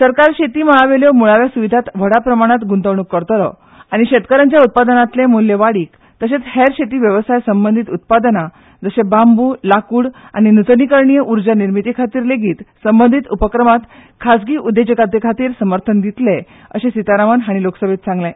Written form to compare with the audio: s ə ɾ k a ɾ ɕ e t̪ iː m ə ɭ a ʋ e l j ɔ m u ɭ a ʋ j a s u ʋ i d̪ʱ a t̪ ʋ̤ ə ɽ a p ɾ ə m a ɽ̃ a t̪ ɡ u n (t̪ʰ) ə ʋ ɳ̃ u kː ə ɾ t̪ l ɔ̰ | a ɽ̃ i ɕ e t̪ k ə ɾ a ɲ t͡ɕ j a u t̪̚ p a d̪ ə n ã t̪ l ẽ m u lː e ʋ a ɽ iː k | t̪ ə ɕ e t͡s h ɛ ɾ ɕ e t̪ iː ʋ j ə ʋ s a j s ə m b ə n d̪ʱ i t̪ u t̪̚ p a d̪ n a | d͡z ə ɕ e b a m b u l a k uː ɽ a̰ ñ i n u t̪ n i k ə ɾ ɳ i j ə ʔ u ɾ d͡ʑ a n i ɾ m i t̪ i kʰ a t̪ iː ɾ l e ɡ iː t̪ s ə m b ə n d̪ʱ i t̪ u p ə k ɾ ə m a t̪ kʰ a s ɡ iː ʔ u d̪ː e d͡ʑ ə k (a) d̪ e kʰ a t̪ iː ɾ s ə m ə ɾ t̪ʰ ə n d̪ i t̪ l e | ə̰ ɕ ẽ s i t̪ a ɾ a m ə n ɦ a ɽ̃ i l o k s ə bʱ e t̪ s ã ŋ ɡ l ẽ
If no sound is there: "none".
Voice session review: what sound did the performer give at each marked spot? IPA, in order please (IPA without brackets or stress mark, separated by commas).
t̪, a